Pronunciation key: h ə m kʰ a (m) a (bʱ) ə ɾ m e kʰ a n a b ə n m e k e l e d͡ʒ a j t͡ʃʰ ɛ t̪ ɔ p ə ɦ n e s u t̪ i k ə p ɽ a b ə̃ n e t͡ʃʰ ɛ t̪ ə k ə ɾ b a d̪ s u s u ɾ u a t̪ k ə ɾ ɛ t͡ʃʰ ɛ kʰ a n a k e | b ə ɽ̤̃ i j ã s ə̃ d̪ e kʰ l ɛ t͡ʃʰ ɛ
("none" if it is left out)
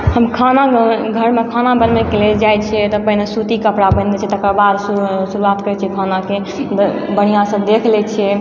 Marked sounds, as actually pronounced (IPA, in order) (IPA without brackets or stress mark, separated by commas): n, ɡʱ